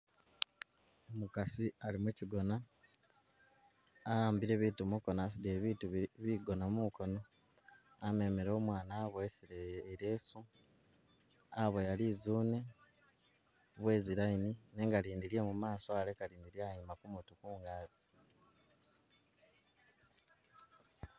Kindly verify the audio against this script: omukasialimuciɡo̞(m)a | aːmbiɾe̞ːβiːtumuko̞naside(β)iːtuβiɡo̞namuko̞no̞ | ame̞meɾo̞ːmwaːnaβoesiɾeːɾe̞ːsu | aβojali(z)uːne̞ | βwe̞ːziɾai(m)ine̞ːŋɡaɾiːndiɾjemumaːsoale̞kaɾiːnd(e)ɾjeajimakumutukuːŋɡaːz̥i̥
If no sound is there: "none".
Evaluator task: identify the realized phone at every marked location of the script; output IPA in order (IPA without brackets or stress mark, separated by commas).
n, β, z, n, i